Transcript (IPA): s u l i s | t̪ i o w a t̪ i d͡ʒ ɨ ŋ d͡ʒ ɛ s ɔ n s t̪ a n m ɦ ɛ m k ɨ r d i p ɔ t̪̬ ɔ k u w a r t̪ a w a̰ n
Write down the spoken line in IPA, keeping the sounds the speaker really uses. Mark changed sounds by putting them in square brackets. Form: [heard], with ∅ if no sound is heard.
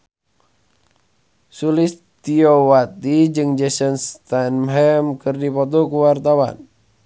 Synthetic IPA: s u l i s | t̪ i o w a t̪ i d͡ʒ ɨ ŋ d͡ʒ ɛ s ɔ n s t̪ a n m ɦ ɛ m k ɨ r d i p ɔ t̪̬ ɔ k u w a r t̪ a w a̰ n